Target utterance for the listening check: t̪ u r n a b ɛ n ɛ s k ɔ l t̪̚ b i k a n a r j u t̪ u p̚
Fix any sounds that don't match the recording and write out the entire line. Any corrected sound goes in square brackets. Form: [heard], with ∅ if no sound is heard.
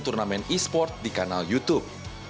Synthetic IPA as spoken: t̪ u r n a [m] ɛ n [i] s [p] ɔ [r] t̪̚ [d] i k a n a [l] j u t̪ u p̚